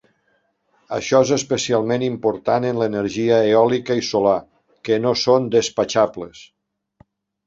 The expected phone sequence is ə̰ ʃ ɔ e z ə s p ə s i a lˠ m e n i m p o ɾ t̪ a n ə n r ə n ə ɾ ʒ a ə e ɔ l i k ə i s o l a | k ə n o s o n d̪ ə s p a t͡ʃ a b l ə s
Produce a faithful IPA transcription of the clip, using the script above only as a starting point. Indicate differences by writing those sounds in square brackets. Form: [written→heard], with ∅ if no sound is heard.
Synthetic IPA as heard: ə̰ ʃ ɔ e z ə s p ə s i a lˠ m e n i m p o ɾ t̪ a n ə n [r→l] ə n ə ɾ ʒ [a→i] ə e ɔ l i k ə i s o l a | k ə n o s o n d̪ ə s p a t͡ʃ a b l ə s